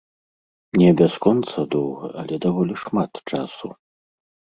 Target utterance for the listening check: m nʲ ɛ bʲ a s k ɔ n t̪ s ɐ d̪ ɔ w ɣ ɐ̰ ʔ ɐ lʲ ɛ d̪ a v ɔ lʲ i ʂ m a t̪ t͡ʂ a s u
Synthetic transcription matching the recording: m nʲ ɛ bʲ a s k ɔ n t̪ s ɐ d̪ ɔ w ɣ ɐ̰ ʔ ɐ lʲ ɛ d̪ a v ɔ lʲ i ʂ m a t̪ t͡ʂ a s u

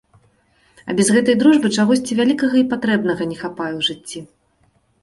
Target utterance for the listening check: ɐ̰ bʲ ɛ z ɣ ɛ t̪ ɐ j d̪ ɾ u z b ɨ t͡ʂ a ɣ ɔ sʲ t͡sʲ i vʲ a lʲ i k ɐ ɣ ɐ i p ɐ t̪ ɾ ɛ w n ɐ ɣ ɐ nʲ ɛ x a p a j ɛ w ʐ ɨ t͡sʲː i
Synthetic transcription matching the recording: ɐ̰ bʲ ɛ z ɣ ɛ t̪ ɐ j d̪ ɾ u ʐ b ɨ t͡ʂ a ɣ ɔ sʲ t͡sʲ i vʲ a lʲ i k ɐ ɣ ɐ i p a t̪ ɾ ɛ b n ɐ ɣ ɐ nʲ ɛ x a p a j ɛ w ʐ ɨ t͡sʲː i

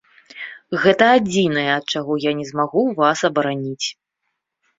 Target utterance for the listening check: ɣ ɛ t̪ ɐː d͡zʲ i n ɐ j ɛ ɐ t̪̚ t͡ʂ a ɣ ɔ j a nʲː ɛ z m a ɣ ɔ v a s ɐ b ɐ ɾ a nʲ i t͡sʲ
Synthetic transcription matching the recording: ɣ ɛ t̪ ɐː d͡zʲ i n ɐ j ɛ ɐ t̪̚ t͡ʂ a ɣ ɔ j a nʲ ɛ z m a ɣ u v a s ɐ b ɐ ɾ a nʲ i t͡sʲ

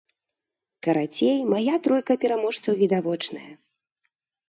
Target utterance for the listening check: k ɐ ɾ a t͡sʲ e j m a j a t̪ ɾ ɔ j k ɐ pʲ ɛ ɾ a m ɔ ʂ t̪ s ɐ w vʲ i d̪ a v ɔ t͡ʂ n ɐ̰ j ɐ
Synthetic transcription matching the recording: k ɐ ɾ a t͡sʲ e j m a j a t̪ ɾ ɔ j k ɐ pʲ ɛ ɾ a m ɔ ʂ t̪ s ɐ w vʲ i d̪ a v ɔ t͡ʂ n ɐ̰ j ɐ

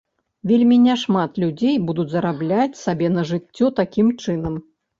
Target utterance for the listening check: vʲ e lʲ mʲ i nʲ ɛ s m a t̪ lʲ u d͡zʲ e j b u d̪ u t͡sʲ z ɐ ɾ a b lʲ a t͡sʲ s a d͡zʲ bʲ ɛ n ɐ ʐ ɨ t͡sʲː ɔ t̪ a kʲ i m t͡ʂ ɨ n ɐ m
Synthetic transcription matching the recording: vʲ e lʲ mʲ i nʲ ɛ ʂ m a t̪ lʲ u d͡zʲ e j b u d̪ u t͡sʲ z ɐ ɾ a b lʲ a t͡sʲ s a bʲ ɛ n ɐ ʐ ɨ t͡sʲː ɔ t̪ a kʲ i m t͡ʂ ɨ n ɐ m

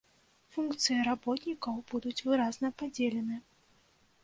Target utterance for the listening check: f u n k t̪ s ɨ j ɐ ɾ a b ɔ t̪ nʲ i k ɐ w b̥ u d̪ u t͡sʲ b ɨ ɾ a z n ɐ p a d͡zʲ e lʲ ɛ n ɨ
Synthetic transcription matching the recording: f u n k t̪ s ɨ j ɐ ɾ a b ɔ t̪ nʲ i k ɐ w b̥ u d̪ u t͡sʲ v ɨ ɾ a z n ɐ p a d͡zʲ e lʲ ɛ n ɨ

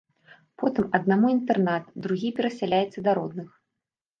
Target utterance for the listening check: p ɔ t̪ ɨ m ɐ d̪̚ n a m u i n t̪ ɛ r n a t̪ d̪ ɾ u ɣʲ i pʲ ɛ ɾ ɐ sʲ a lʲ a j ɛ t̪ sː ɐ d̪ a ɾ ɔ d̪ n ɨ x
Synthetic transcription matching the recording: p ɔ t̪ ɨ m ɐ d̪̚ n a m u i n t̪ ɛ r n a t̪ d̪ ɾ u ɣʲ i pʲ ɛ ɾ ɐ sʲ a lʲ a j ɛ t̪ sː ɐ d̪ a ɾ ɔ d̪ n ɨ x

